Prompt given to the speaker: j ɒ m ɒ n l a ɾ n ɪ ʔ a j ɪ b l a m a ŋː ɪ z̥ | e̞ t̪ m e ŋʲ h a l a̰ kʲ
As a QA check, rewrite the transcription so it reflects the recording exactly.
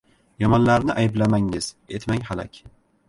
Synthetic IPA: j ɒ m ɒ n l a ɾ n ɪ ʔ a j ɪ b l a m a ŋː ɪ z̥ | e̞ t̪ m a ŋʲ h a l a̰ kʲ